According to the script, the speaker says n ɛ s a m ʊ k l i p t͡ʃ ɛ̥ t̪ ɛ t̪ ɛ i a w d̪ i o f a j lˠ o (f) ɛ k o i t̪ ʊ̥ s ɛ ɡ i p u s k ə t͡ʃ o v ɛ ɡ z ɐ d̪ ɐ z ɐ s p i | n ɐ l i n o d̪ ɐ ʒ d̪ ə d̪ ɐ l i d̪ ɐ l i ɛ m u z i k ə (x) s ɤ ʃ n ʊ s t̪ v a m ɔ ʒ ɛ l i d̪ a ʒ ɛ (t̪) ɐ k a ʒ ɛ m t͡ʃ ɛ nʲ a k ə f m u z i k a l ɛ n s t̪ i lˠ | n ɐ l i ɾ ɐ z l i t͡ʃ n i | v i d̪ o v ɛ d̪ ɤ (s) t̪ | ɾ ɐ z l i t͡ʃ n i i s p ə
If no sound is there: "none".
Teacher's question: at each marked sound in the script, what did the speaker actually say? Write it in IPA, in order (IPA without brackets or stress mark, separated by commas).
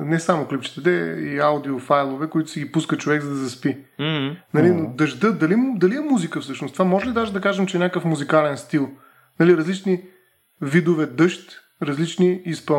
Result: v, f, d̪, ʃ